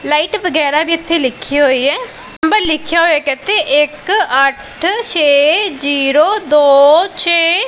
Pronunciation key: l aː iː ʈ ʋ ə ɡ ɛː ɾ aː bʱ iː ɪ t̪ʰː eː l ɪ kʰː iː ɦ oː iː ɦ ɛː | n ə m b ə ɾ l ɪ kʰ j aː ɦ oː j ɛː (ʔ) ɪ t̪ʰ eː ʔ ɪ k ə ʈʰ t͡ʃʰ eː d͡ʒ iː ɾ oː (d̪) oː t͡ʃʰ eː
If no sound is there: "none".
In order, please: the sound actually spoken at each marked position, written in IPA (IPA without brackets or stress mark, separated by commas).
k, d̪